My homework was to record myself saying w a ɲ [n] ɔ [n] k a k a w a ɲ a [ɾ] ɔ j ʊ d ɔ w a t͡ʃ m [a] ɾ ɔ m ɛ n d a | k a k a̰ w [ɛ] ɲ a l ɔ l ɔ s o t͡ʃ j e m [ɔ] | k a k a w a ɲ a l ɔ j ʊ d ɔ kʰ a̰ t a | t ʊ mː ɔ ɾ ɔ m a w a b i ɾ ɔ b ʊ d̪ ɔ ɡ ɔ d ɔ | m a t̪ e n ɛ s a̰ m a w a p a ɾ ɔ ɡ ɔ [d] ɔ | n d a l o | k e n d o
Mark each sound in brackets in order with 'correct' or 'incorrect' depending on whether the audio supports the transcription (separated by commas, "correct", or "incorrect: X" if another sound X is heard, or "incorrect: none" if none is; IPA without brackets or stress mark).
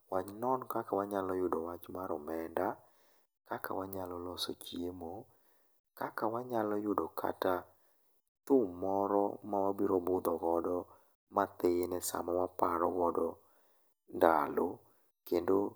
correct, correct, incorrect: l, correct, incorrect: a, incorrect: o, correct